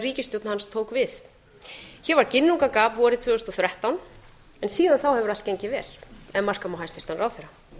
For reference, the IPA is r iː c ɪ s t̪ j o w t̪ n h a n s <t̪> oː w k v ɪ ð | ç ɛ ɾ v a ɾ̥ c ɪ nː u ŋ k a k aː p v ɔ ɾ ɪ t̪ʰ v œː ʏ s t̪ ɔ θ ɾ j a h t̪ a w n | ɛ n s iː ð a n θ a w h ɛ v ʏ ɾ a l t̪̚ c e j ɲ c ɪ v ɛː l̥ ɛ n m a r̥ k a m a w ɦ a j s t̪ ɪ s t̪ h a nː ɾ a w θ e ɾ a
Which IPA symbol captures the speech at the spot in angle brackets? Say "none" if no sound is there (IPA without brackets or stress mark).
t̪ʰ